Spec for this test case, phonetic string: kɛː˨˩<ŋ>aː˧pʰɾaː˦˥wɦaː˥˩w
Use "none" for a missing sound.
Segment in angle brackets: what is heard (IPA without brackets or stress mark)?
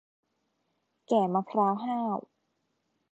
m